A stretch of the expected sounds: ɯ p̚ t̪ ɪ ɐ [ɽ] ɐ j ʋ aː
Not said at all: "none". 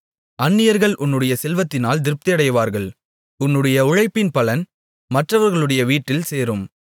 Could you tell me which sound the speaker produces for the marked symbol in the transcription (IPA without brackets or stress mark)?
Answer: ɽ